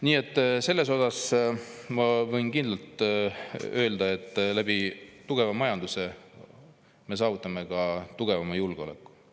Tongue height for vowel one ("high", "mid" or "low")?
high